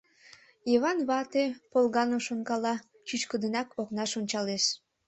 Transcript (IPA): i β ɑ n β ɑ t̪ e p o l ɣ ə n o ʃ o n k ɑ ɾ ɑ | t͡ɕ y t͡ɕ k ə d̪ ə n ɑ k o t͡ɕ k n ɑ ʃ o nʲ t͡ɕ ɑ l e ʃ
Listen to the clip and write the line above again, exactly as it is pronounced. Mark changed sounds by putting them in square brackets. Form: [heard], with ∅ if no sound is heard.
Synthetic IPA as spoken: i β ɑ n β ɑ t̪ e p o l ɣ [ɑ] n o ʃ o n k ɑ [l] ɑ | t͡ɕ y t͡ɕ k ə d̪ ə n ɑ k o [∅] k n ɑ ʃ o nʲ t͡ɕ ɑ l e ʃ